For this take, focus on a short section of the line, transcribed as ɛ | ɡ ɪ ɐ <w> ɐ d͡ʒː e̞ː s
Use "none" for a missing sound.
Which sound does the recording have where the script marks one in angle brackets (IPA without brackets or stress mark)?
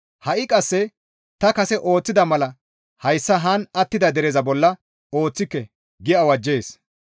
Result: w